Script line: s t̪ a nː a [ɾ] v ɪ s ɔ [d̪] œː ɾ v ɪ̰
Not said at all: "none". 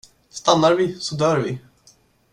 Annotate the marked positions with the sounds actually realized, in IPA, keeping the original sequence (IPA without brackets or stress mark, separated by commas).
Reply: ɾ, d̪